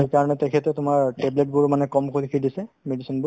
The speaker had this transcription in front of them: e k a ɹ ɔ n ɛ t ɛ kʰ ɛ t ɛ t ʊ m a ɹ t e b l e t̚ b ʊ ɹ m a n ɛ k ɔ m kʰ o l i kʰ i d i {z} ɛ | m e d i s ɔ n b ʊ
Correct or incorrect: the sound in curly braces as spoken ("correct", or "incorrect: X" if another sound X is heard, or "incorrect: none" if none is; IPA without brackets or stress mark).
incorrect: s